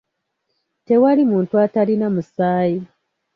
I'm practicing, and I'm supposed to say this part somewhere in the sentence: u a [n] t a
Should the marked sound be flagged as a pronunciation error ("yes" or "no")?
yes